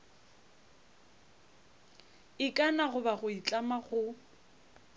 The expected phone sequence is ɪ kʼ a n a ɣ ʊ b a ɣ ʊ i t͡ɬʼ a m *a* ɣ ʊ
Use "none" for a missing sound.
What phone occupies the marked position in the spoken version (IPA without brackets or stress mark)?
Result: a